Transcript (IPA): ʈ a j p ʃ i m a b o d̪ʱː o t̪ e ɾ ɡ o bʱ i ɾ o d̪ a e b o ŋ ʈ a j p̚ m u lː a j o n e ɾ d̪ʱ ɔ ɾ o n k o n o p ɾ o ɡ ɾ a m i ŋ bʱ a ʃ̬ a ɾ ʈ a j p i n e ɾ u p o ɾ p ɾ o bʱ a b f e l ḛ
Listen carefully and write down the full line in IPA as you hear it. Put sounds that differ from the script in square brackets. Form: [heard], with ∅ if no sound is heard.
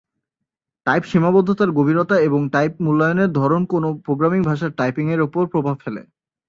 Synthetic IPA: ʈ a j p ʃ i m a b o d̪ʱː o t̪ [a] ɾ ɡ o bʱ i ɾ o [t̪] a e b o ŋ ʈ a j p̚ m u lː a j o n e ɾ d̪ʱ ɔ ɾ o n k o n o p ɾ o ɡ ɾ a m i ŋ bʱ a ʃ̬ a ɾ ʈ a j p i [ŋ] e ɾ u p o ɾ p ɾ o bʱ a b f e l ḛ